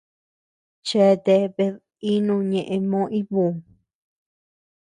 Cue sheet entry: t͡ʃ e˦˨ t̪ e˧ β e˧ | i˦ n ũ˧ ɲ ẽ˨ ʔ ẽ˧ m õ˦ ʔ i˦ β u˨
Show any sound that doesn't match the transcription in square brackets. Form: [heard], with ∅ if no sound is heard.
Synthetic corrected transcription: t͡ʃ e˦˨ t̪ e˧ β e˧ | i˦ n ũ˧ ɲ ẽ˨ ʔ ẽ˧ m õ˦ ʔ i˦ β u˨